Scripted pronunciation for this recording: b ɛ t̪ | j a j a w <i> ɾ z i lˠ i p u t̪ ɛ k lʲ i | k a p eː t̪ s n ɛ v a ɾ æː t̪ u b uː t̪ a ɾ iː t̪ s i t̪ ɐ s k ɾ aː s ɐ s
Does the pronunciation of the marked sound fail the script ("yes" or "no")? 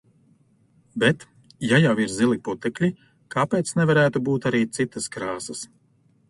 no